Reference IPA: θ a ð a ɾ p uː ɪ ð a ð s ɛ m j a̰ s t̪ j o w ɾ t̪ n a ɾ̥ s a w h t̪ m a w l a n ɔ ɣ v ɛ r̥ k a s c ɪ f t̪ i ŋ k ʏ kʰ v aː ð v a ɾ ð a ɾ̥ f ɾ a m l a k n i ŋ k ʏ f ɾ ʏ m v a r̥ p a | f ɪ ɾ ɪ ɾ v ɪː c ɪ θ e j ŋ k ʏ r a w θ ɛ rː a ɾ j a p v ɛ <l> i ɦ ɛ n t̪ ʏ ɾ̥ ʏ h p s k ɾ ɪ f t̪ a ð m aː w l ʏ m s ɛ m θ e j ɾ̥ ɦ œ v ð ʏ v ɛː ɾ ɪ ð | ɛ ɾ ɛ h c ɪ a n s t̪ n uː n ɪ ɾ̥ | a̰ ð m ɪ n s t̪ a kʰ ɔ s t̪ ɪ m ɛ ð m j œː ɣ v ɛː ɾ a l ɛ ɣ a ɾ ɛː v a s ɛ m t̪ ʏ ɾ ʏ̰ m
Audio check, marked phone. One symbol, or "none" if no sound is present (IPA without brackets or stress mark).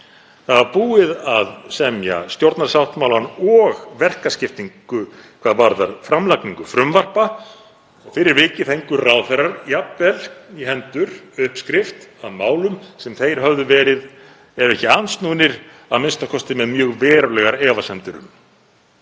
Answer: l